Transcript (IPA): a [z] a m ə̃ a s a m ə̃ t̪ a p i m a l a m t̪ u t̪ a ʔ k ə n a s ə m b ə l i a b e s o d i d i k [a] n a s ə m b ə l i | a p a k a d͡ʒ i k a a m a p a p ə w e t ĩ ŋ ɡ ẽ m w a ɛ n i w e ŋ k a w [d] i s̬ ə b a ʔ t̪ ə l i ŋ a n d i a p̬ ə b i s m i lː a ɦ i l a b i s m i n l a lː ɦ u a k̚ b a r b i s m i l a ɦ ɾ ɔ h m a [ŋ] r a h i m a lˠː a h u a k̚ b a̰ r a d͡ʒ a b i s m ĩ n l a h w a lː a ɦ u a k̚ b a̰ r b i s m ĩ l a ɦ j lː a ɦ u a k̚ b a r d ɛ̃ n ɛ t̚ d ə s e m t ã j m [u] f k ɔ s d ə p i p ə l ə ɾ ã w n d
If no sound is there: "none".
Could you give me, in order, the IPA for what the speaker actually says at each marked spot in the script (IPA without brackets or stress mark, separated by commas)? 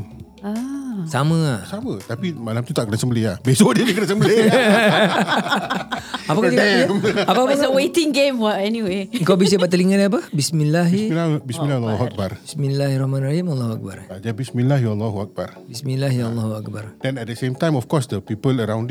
s, ə, b, n, ɔ